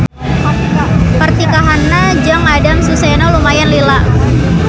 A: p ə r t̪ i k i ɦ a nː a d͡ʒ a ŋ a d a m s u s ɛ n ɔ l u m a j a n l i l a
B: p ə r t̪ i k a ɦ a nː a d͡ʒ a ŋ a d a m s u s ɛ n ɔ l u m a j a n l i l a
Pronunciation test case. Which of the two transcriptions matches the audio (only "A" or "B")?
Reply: B